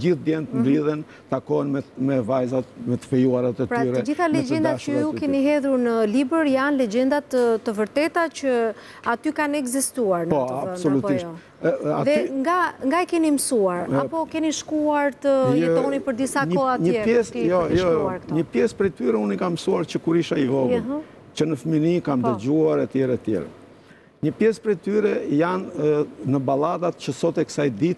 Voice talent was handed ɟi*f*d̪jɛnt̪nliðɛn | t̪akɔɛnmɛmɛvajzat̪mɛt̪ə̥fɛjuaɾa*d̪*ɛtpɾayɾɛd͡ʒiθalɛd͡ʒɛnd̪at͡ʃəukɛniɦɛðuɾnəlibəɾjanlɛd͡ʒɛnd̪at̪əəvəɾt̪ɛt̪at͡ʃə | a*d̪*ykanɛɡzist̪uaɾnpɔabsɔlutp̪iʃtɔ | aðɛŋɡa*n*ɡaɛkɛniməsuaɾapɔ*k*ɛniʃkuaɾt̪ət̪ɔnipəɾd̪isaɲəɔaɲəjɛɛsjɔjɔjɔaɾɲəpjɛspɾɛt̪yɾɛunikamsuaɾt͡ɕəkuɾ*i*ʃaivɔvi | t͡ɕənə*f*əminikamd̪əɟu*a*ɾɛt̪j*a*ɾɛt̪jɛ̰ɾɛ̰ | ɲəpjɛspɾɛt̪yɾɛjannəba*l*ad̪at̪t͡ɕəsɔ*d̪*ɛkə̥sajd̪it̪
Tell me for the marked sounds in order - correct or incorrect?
incorrect: θ, incorrect: t̪, incorrect: t̪, incorrect: ŋ, correct, correct, correct, correct, incorrect: ɛ, correct, incorrect: t̪

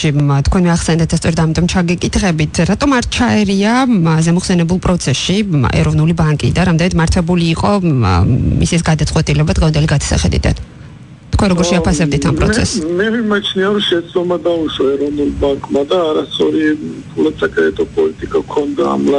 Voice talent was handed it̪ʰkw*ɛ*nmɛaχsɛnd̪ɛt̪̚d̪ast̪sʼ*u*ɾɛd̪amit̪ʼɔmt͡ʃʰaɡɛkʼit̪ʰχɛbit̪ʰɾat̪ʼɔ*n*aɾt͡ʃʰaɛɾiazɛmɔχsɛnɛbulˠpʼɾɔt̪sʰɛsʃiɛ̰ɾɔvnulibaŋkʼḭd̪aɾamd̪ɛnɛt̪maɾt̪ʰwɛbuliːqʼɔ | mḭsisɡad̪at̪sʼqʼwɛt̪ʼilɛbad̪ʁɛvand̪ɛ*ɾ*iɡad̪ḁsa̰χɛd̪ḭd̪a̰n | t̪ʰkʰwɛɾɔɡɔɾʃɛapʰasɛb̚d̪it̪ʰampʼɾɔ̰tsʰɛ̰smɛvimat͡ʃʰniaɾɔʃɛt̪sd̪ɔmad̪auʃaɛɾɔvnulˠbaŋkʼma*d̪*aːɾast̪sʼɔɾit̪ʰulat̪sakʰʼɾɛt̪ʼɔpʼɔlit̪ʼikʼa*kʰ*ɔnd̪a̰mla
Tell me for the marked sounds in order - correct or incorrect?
correct, incorrect: ɔ, incorrect: m, incorrect: l, correct, correct

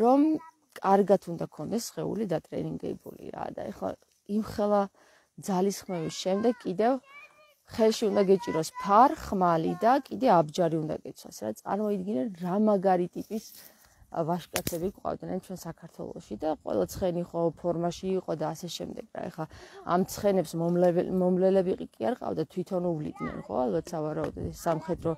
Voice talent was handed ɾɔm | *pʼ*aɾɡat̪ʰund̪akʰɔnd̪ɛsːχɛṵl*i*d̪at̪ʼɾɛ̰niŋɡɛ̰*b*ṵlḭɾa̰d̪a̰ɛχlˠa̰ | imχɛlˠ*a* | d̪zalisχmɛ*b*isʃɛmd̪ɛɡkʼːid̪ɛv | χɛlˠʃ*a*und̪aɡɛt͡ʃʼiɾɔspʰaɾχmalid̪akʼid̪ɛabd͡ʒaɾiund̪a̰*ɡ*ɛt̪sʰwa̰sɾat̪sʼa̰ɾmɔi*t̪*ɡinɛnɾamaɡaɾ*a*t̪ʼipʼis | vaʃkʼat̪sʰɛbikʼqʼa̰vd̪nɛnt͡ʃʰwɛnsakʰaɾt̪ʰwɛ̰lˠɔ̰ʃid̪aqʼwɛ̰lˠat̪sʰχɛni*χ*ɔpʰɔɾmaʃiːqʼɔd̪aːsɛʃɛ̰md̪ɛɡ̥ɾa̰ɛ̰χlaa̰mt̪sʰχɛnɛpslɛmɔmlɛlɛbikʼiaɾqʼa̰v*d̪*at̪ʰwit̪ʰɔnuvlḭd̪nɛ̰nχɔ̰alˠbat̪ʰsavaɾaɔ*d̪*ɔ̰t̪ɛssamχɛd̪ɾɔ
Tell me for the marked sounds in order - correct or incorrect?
incorrect: kʼ, correct, correct, correct, incorrect: v, incorrect: i, correct, incorrect: d̪, incorrect: i, correct, correct, correct

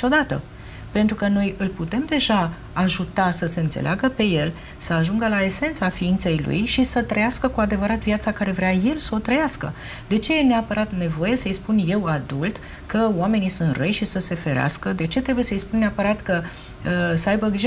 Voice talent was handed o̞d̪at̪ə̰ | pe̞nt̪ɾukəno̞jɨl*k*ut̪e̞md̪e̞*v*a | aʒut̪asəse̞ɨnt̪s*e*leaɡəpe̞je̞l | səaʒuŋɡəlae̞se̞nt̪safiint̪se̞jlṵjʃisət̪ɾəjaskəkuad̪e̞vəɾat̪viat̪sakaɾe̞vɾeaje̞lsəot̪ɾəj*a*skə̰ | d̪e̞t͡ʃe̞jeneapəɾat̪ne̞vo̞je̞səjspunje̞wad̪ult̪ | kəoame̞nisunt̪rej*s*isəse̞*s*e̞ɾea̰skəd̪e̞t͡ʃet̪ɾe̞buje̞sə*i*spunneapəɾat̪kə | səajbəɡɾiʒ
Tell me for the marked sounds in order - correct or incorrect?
incorrect: p, incorrect: ʒ, correct, correct, incorrect: ʃ, incorrect: f, incorrect: j

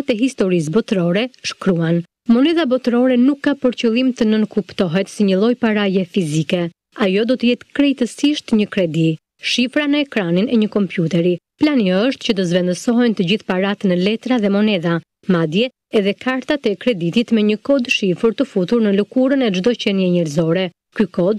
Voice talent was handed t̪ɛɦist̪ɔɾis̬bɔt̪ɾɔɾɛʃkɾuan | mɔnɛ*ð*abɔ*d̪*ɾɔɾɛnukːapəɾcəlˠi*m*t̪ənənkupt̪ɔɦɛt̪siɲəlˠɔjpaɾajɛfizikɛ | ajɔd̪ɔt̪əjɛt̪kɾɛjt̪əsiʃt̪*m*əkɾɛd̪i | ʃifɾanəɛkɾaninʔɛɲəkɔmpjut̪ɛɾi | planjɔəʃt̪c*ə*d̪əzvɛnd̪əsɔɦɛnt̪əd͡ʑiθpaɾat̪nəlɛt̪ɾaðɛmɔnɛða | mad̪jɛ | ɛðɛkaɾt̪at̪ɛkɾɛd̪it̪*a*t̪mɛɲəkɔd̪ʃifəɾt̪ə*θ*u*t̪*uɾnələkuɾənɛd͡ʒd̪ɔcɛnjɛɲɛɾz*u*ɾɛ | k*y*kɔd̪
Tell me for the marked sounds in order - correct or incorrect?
correct, incorrect: t̪, correct, incorrect: ɲ, correct, incorrect: i, incorrect: f, correct, incorrect: ɔ, correct

